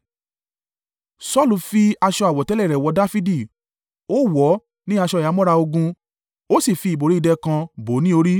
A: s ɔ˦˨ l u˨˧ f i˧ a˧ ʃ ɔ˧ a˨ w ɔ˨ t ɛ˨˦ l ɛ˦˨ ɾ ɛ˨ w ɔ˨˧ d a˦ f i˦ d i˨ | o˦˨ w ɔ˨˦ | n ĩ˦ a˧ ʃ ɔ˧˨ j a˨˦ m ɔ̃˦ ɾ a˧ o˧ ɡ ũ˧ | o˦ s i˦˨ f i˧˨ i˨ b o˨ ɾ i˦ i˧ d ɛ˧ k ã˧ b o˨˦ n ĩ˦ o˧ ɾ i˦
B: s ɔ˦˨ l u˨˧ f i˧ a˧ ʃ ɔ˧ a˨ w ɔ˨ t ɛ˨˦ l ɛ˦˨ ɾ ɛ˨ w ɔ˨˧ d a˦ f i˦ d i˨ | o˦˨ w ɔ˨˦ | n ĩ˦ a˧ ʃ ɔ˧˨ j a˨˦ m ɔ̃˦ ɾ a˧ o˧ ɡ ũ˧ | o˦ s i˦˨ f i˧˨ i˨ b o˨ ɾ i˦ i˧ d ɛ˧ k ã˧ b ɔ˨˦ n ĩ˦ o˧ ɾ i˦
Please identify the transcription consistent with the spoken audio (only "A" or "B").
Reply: A